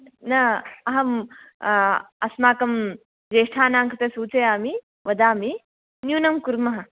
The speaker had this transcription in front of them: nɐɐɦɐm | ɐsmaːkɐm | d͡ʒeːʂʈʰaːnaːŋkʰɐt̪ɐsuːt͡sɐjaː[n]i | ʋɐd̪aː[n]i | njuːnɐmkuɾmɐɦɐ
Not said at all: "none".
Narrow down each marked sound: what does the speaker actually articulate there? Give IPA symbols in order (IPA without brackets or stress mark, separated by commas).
m, m